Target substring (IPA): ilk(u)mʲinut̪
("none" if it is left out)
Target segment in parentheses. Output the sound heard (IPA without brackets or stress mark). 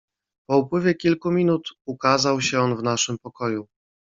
u